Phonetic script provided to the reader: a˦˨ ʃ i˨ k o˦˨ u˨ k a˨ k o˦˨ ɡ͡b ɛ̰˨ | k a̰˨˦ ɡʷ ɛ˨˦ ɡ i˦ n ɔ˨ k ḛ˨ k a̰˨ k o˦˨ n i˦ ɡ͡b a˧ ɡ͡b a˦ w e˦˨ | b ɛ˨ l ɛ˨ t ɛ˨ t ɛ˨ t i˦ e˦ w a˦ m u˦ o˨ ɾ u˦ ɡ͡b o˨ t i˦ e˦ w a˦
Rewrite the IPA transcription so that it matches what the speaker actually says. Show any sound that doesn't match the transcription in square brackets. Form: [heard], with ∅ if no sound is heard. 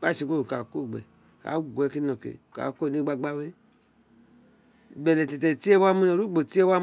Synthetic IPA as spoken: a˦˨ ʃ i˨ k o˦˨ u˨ k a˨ k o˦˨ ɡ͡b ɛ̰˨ | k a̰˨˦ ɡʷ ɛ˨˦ [k] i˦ n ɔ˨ k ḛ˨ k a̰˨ k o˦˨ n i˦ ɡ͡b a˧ ɡ͡b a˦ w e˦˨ | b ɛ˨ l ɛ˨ t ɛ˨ t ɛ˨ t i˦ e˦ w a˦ m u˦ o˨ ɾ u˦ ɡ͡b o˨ t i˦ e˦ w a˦

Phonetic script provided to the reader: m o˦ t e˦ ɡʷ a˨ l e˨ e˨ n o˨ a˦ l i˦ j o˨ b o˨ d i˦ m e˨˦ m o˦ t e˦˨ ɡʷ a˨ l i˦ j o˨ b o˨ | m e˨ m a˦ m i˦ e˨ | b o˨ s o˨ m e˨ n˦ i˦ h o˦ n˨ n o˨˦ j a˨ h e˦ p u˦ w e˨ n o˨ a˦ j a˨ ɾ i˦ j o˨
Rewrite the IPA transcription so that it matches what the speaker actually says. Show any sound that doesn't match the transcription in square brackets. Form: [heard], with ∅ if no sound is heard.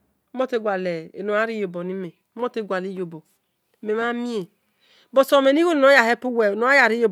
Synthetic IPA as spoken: m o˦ t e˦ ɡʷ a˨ l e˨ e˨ n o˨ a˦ [ɾ] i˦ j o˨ b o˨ [n] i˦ m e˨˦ m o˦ t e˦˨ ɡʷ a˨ l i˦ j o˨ b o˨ | m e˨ m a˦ m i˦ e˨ | b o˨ s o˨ m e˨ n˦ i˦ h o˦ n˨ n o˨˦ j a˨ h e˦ p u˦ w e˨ n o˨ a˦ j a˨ ɾ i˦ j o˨

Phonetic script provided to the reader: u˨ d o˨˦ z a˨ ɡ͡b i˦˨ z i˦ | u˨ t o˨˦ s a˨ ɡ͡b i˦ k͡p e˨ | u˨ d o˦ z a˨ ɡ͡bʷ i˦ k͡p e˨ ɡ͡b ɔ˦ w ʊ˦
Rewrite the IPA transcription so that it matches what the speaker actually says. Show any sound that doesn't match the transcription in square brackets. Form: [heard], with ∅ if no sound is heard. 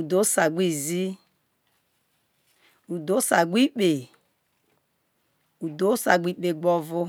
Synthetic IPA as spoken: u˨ d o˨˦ [s] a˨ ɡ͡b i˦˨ z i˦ | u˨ [d] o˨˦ s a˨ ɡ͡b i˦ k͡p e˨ | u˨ d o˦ [s] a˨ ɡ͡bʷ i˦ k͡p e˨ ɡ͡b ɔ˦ [v] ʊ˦

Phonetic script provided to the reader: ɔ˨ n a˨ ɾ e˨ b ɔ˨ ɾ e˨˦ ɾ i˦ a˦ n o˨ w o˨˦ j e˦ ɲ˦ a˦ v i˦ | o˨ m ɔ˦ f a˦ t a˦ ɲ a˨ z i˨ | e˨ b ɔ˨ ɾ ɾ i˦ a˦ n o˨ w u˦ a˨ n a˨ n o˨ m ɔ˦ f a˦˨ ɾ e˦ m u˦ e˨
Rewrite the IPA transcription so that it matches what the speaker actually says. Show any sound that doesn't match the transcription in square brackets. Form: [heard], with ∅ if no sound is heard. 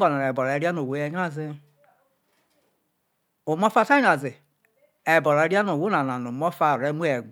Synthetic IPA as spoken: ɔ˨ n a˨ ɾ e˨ b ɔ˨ ɾ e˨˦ ɾ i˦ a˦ n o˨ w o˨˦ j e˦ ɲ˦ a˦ [z] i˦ | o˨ m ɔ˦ f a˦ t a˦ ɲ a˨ z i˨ | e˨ b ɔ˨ ɾ ɾ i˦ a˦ n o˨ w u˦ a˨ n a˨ n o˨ m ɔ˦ f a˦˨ ɾ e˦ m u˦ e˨

